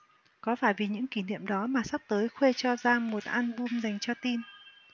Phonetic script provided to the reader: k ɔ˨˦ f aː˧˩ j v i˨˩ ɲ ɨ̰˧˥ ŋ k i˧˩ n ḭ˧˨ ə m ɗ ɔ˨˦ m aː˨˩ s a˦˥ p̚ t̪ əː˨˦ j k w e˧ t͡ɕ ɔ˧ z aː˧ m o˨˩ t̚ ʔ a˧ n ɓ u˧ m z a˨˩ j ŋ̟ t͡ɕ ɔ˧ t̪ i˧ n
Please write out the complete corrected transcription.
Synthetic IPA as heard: k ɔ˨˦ f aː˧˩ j v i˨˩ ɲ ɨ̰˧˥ ŋ k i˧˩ n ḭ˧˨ ə m ɗ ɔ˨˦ m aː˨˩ s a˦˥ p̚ t̪ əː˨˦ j x w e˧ t͡ɕ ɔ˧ z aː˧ m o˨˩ t̚ ʔ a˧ n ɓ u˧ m z a˨˩ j ŋ̟ t͡ɕ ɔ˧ t̪ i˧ n

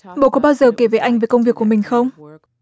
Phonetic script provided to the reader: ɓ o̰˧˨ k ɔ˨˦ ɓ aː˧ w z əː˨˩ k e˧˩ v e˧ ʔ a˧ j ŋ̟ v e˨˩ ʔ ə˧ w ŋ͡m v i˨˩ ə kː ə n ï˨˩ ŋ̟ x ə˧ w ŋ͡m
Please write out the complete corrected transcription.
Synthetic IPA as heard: ɓ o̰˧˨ k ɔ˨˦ ɓ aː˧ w z əː˨˩ k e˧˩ v e˨˩ ʔ a˧ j ŋ̟ v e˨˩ k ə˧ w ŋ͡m v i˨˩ ə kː ə m ï˨˩ ŋ̟ x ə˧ w ŋ͡m

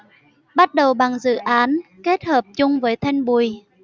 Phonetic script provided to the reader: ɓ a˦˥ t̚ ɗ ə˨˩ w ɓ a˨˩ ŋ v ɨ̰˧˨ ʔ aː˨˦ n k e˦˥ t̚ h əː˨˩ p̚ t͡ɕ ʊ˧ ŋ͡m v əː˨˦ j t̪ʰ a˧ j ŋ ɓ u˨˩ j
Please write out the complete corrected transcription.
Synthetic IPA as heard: ɓ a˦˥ t̚ ɗ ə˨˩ w ɓ a˨˩ ŋ z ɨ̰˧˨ ʔ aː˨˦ n k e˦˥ t̚ h əː˨˩ p̚ t͡ɕ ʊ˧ ŋ͡m v əː˨˦ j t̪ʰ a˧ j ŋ ɓ u˨˩ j

